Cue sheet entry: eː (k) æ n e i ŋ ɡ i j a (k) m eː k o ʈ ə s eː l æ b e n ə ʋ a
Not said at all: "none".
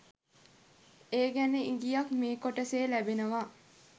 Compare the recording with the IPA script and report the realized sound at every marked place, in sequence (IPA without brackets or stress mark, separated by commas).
ɡ, k